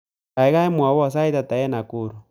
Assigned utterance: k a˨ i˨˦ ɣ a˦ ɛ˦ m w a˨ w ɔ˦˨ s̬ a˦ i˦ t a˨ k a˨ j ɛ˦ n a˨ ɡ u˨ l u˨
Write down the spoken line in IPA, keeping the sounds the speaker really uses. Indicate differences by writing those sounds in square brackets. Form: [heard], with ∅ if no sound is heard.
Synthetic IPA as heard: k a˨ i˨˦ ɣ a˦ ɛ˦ m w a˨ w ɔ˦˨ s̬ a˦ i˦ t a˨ [t] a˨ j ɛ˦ n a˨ [k] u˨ [ɾ] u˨